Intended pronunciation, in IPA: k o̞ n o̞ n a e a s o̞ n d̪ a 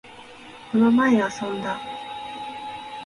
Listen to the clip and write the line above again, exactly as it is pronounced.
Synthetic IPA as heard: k o̞ n o̞ m a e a s õ̞ n d̪ a